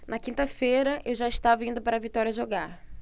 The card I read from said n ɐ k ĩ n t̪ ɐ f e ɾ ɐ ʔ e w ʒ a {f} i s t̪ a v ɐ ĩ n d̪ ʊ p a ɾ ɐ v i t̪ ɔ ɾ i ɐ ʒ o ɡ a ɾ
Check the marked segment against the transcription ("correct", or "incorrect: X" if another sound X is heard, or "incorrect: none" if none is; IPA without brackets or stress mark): incorrect: none